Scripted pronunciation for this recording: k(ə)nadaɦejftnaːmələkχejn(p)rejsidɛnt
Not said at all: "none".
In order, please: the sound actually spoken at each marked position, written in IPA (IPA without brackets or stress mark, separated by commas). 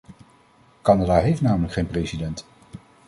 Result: ɑ, p